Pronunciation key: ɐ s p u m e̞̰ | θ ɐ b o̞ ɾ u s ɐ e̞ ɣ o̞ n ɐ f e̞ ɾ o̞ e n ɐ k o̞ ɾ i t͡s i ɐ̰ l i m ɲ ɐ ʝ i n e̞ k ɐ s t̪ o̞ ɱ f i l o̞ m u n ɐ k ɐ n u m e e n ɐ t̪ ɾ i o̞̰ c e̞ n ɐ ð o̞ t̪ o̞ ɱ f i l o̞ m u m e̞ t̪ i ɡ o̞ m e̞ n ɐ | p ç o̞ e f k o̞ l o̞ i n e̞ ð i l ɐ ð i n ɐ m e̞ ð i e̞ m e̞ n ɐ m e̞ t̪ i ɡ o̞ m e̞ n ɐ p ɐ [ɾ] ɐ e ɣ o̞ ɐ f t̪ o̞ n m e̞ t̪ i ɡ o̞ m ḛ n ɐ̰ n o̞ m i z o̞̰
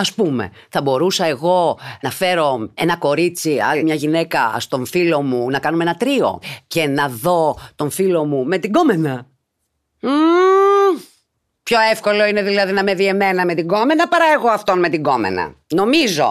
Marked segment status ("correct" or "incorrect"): correct